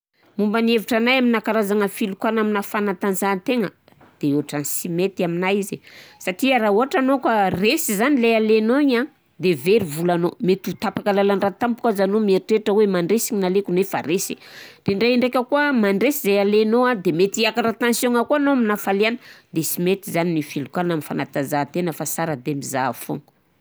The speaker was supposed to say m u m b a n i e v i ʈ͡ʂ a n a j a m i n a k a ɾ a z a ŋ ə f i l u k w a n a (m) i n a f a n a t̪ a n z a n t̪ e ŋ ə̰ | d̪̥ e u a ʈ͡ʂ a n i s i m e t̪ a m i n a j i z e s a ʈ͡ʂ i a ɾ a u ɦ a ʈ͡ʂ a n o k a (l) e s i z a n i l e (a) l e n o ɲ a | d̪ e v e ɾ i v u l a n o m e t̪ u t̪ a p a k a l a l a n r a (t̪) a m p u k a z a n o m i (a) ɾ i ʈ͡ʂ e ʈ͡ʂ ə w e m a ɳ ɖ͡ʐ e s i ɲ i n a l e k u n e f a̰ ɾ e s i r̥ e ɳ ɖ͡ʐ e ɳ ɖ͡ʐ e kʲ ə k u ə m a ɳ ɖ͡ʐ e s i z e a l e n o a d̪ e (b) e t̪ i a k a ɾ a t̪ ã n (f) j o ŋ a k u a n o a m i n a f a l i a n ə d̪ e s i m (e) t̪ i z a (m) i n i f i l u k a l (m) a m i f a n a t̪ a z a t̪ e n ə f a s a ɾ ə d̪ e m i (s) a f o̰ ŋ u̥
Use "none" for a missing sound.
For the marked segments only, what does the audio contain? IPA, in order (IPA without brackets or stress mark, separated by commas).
m, r, a, t̪, e, m, s, e, n, n, z